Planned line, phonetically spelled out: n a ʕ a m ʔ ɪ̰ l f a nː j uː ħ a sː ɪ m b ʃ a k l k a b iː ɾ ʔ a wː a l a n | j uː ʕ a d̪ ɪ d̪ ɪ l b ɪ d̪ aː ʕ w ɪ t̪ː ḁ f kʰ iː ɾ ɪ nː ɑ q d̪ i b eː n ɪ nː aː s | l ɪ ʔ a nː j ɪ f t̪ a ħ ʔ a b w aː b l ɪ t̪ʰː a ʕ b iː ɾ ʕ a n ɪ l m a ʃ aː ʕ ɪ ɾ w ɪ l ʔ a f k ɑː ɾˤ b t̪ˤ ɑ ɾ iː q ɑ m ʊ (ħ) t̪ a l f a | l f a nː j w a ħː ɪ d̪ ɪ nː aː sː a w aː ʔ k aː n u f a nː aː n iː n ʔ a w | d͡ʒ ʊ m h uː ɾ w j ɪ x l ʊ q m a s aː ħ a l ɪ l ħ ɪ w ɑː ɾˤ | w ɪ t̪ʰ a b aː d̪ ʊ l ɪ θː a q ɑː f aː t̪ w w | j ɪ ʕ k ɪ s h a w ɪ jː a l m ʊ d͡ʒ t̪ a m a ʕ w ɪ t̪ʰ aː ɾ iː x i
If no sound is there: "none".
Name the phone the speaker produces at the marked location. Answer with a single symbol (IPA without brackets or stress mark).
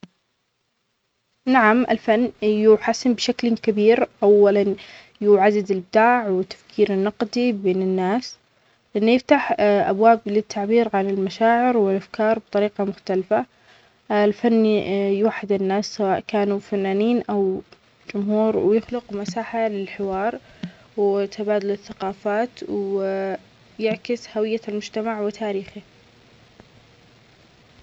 x